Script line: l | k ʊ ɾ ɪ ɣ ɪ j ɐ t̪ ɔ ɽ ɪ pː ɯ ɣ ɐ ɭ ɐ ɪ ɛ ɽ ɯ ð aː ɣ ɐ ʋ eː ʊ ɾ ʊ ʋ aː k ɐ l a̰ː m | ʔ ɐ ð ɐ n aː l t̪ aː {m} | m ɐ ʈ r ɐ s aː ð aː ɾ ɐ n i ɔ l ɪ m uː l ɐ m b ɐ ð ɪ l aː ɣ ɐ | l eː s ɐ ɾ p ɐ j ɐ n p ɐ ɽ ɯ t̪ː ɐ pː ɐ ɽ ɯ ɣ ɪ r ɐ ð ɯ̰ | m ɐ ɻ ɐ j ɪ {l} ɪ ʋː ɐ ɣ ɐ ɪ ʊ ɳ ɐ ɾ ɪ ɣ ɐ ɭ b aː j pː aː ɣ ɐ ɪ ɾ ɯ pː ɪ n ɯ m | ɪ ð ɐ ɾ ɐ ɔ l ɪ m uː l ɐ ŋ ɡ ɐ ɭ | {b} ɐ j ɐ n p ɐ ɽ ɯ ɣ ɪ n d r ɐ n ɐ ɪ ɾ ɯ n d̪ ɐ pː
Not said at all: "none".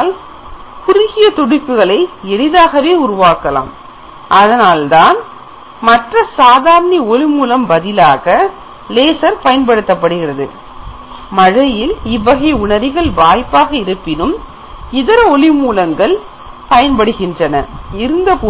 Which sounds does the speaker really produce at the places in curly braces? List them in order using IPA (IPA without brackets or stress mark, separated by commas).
n, l, p